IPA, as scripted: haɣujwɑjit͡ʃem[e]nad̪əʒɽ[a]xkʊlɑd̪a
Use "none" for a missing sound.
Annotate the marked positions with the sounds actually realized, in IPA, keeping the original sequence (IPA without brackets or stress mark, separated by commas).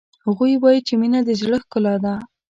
i, ə